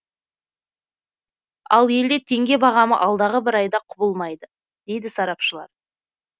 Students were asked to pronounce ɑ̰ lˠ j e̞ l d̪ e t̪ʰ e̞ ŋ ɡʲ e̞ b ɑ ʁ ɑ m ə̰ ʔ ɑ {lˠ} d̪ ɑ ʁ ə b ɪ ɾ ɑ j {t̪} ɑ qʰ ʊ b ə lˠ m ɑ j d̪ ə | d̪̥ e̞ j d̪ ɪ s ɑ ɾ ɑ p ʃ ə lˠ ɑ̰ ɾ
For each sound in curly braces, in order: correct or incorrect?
correct, incorrect: d̪

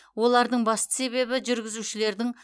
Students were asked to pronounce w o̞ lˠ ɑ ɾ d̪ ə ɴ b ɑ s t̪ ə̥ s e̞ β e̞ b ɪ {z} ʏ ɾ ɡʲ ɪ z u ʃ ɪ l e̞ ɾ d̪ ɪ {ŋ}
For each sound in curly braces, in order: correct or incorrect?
incorrect: ʒ, correct

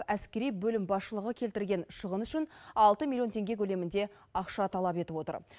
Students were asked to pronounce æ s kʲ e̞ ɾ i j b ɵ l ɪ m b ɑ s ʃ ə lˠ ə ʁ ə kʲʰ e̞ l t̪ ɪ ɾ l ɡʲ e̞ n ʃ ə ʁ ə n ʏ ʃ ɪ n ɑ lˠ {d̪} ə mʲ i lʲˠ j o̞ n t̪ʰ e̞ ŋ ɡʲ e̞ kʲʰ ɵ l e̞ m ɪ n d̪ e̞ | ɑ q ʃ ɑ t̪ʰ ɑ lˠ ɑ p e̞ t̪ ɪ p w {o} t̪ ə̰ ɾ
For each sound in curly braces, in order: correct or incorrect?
incorrect: t̪, correct

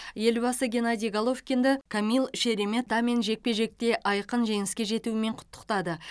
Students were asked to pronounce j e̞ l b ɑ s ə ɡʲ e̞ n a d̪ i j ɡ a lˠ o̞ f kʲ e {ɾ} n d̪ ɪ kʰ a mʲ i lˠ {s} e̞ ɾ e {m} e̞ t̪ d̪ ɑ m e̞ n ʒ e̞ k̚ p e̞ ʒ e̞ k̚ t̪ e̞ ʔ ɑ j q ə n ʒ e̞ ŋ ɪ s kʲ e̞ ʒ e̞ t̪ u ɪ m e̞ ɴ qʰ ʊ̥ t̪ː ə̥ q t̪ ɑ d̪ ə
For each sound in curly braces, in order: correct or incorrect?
incorrect: none, incorrect: ʃ, correct

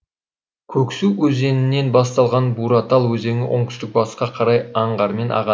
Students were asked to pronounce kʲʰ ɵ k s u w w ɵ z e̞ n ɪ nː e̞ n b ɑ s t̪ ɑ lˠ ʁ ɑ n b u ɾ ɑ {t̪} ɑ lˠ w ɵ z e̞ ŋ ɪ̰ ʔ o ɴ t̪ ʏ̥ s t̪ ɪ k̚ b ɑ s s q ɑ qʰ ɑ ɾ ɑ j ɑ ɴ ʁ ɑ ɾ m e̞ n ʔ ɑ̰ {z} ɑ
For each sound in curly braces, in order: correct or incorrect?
correct, incorrect: ʁ

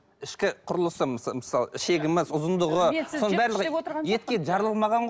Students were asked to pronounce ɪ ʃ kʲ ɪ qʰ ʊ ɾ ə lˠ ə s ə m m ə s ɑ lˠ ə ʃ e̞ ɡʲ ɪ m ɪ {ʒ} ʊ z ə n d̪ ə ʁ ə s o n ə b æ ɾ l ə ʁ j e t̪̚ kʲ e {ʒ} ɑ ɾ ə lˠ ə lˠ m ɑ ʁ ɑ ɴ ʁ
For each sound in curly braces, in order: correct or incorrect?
incorrect: z, correct

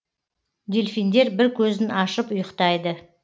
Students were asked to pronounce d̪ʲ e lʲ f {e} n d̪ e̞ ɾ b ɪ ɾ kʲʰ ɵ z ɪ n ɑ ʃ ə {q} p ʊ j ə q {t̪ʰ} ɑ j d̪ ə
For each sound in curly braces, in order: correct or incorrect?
incorrect: i, incorrect: none, incorrect: t̪

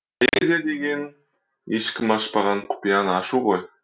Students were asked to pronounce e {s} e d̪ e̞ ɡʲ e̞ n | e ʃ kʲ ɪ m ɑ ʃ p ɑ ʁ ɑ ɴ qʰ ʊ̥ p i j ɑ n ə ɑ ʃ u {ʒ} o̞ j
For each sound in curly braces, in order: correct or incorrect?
incorrect: z, incorrect: ʁ

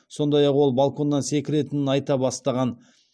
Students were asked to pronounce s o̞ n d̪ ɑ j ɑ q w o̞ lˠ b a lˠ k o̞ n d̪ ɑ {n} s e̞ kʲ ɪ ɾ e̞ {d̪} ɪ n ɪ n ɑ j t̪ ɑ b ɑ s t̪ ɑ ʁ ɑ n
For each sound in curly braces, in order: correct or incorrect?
correct, incorrect: t̪

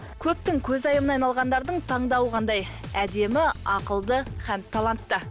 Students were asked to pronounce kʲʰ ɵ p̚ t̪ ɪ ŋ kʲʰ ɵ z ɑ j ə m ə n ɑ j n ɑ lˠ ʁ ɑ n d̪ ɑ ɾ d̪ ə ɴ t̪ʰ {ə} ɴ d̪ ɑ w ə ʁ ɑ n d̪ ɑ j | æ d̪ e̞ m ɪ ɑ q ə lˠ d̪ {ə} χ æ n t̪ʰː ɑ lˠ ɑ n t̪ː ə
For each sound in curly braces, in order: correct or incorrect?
incorrect: ɑ, correct

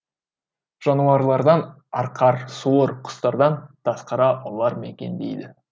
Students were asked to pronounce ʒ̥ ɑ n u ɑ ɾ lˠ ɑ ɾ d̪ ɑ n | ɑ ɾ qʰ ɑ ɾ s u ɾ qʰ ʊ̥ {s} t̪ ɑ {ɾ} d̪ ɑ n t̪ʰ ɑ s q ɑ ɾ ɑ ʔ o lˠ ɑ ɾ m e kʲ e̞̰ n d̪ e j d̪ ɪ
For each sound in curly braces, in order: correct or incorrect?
correct, correct

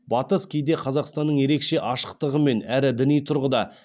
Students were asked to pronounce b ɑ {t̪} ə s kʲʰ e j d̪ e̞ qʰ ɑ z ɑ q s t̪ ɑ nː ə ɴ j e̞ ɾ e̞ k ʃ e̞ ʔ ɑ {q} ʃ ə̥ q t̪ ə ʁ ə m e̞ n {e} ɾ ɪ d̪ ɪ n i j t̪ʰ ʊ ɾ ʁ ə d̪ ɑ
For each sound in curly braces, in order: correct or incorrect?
correct, incorrect: none, incorrect: æ

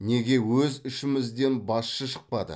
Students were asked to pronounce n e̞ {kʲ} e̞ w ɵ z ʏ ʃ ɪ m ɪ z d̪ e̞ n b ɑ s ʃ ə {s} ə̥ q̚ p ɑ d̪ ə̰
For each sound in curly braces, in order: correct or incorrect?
incorrect: ɡʲ, incorrect: ʃ

